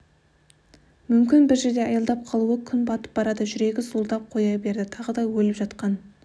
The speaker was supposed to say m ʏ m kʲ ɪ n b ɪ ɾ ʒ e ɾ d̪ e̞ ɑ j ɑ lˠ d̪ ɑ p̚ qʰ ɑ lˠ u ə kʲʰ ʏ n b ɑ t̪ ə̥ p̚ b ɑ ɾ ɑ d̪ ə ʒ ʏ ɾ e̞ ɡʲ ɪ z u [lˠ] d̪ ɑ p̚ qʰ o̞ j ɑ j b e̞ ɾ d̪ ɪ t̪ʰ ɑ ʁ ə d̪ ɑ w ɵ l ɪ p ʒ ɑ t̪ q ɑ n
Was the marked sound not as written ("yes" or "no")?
no